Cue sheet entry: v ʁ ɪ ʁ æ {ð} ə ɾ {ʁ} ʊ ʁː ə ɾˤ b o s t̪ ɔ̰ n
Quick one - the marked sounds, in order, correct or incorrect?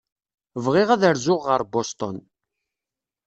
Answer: correct, incorrect: z

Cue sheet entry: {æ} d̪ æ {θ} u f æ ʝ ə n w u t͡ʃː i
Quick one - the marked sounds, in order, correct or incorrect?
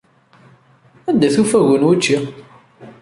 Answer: correct, correct

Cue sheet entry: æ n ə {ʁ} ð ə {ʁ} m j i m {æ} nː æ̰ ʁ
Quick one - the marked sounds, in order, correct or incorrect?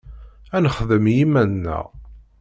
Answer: incorrect: χ, incorrect: none, correct

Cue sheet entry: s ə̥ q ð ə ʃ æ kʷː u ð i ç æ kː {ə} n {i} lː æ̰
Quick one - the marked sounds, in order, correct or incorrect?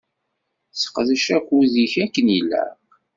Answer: correct, correct

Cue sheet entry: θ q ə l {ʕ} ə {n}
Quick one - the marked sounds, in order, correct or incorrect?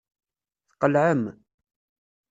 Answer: correct, incorrect: m

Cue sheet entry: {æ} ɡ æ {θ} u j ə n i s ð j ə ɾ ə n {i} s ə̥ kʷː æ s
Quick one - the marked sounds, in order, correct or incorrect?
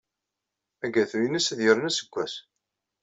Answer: correct, correct, incorrect: æ

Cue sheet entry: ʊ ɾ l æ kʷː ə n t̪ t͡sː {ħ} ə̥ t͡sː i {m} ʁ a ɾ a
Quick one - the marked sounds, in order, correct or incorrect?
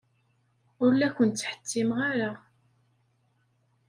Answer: correct, correct

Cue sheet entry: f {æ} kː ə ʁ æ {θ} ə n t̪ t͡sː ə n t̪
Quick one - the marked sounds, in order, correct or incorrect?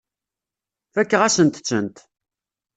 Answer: correct, incorrect: s

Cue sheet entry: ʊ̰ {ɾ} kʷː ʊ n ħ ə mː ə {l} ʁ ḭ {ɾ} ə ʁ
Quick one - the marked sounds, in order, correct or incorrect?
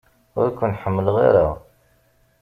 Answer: correct, correct, correct

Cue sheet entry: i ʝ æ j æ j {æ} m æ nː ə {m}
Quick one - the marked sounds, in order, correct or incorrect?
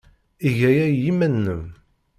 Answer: incorrect: i, correct

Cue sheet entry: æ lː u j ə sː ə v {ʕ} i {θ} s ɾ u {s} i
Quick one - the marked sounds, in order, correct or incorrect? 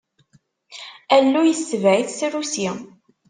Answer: correct, correct, correct

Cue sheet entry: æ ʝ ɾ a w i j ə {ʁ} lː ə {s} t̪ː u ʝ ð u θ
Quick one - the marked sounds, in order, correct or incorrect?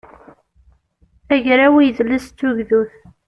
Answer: incorrect: ð, correct

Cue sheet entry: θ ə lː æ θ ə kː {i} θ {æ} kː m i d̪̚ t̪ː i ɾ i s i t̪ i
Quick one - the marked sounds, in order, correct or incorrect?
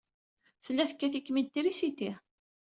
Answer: incorrect: æ, incorrect: i

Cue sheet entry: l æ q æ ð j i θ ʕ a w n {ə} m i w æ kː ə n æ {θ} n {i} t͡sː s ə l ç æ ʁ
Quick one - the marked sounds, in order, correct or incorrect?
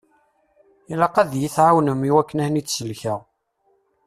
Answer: correct, incorrect: h, correct

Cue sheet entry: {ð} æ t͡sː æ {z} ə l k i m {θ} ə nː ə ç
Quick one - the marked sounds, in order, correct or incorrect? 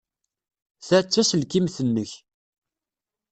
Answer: incorrect: θ, incorrect: s, correct

